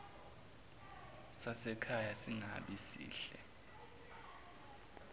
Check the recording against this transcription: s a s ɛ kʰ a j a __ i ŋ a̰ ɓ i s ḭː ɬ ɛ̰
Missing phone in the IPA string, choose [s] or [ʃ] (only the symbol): s